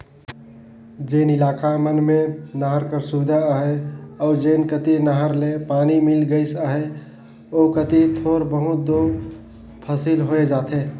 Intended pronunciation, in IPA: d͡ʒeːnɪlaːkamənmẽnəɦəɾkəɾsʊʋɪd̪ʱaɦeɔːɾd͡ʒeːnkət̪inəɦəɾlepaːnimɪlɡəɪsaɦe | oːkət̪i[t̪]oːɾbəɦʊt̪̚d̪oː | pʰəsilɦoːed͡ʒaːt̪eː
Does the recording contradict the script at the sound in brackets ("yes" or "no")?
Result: yes